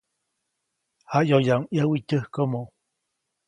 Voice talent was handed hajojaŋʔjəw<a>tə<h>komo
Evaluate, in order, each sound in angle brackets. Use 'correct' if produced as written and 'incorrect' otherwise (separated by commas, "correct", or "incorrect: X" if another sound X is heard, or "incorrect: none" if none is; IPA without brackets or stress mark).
incorrect: i, correct